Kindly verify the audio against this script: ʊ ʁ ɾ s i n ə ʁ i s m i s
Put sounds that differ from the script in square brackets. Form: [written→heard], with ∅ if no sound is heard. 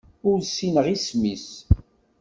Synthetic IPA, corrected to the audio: ʊ [ʁ→∅] ɾ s i n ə ʁ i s m i s